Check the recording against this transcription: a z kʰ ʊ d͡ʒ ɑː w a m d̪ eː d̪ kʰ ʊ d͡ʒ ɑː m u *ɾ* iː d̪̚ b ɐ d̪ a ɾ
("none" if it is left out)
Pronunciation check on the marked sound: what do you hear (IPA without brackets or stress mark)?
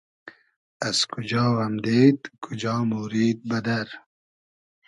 ɾ